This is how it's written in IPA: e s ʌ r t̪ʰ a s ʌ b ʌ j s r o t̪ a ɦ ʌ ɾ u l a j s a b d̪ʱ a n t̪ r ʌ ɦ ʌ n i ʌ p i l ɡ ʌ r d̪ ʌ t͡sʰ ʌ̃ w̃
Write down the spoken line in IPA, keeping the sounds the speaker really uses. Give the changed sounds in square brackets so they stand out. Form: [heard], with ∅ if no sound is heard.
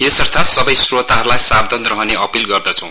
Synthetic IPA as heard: e s ʌ r t̪ʰ a s ʌ b ʌ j s r o t̪ a ɦ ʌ ɾ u l a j s a b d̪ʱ [ʌ] n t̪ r ʌ ɦ ʌ n [e] ʌ p i l ɡ ʌ r d̪ ʌ t͡sʰ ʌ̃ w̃